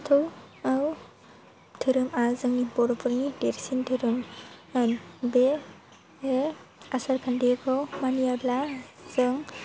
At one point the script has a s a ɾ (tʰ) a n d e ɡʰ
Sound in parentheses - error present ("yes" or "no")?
yes